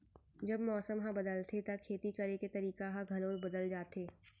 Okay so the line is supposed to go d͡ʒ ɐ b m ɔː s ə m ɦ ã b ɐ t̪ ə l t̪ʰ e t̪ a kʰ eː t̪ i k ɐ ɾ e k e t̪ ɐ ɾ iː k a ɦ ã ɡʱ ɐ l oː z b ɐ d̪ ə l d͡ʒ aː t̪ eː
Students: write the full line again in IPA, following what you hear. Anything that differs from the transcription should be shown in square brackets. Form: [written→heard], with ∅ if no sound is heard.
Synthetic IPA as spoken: d͡ʒ ɐ b m ɔː s ə m ɦ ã b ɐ [t̪→d̪] ə l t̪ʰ e t̪ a kʰ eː t̪ i k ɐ ɾ e k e t̪ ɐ ɾ iː k a ɦ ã ɡʱ ɐ l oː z b ɐ d̪ ə l d͡ʒ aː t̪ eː